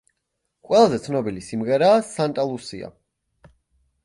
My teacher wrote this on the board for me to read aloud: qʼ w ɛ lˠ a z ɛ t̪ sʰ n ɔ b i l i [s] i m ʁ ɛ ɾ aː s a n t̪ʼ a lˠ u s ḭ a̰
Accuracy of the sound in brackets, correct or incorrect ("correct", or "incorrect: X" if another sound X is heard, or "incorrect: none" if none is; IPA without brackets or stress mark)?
correct